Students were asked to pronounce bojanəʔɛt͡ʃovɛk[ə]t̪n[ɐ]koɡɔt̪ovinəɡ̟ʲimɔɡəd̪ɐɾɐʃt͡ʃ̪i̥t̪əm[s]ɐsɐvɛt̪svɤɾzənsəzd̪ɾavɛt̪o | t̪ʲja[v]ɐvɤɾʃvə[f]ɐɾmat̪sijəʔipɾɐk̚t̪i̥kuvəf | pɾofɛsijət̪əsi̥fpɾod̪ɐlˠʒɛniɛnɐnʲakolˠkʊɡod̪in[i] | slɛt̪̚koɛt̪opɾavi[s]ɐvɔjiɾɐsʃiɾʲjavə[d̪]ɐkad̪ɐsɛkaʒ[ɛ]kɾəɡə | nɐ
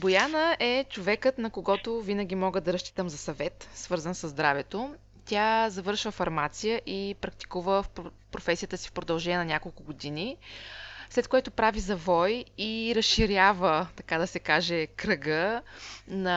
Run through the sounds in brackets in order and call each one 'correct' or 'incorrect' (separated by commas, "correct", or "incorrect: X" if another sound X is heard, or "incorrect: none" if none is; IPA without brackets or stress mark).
correct, correct, incorrect: z, incorrect: z, correct, correct, incorrect: z, incorrect: t̪, correct